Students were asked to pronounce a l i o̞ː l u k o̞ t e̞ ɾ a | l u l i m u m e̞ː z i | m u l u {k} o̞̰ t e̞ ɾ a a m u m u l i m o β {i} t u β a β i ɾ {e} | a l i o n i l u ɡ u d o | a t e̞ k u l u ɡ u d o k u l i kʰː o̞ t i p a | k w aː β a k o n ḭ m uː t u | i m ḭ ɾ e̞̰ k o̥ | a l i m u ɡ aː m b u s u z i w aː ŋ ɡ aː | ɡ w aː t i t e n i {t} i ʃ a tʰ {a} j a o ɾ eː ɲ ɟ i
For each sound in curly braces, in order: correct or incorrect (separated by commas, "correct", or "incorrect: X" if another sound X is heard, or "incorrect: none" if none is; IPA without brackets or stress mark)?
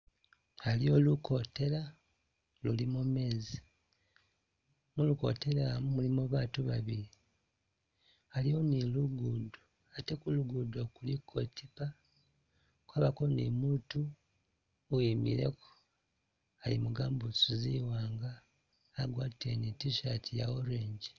correct, incorrect: a, incorrect: i, correct, incorrect: i